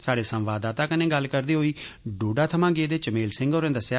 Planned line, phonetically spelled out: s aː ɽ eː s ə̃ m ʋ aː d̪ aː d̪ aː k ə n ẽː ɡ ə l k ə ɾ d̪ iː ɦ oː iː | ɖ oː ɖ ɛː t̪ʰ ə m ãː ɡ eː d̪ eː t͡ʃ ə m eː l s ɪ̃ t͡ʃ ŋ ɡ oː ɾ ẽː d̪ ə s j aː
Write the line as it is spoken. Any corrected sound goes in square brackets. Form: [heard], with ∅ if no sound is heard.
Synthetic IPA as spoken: s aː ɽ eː s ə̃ m ʋ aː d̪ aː [t̪] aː k ə n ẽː ɡ ə l k ə ɾ d̪ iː ɦ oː iː | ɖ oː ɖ [aː] t̪ʰ ə m ãː ɡ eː d̪ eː t͡ʃ ə m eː l s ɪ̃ [∅] ŋ ɡ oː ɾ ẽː d̪ ə s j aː